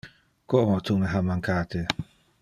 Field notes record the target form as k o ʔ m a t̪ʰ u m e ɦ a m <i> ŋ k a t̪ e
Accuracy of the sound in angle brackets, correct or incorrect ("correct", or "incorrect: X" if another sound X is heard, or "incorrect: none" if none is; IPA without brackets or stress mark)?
incorrect: a